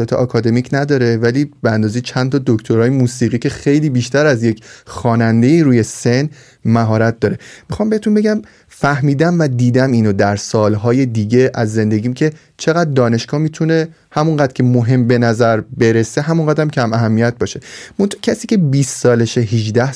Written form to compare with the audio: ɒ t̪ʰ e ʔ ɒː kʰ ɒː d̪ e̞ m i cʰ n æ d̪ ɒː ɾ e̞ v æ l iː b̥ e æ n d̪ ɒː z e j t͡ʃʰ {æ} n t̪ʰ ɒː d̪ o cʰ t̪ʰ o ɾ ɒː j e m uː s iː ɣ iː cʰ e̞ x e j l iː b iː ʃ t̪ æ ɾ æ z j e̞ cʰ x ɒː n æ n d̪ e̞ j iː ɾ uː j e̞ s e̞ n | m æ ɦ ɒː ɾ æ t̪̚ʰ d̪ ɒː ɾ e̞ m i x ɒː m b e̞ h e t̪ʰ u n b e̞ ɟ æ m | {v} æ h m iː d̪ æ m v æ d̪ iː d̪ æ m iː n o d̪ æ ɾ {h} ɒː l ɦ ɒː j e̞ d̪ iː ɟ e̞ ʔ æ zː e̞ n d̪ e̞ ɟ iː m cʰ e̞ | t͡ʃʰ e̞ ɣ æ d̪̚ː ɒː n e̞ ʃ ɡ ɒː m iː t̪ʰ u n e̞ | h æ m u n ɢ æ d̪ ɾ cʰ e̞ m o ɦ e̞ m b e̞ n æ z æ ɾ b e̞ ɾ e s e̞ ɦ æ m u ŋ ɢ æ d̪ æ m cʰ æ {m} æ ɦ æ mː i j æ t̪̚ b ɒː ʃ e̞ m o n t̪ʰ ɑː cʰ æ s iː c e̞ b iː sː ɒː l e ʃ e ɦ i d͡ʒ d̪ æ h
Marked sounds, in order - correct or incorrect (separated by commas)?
correct, incorrect, incorrect, correct